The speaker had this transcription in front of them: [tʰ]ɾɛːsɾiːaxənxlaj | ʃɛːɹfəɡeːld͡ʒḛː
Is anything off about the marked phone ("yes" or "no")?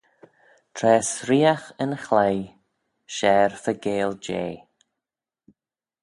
no